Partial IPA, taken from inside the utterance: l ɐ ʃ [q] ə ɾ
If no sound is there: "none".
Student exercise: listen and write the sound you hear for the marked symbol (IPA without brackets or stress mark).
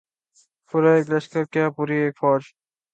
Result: k